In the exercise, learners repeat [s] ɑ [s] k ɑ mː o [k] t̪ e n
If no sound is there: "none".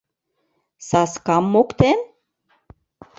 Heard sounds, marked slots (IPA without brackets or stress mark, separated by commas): s, s, k